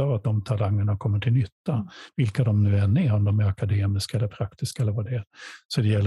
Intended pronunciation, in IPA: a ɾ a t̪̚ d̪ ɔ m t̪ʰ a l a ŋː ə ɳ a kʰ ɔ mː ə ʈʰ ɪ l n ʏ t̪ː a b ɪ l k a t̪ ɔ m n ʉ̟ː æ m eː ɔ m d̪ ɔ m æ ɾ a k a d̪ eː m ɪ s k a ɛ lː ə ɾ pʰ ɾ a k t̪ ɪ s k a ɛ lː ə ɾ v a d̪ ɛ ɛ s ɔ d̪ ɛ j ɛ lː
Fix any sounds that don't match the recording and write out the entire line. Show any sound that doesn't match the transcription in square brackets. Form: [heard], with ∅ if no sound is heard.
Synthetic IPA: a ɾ a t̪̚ d̪ ɔ m t̪ʰ a l a ŋː ə ɳ a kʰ ɔ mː ə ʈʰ ɪ l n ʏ t̪ː a [v] ɪ l k a [d̪] ɔ m n ʉ̟ː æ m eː ɔ m d̪ ɔ m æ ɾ a k a d̪ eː m ɪ s k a ɛ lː ə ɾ pʰ ɾ a k t̪ ɪ s k a ɛ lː ə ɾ v a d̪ ɛ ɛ s ɔ d̪ ɛ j ɛ lː